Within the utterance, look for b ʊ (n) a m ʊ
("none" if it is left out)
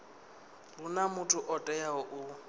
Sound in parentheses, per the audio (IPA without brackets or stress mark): n